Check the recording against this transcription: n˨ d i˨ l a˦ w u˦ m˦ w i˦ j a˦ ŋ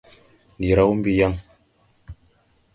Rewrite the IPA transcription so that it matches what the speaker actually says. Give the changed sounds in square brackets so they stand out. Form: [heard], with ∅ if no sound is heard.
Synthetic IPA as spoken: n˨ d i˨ [ɾ] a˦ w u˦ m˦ [b] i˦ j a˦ ŋ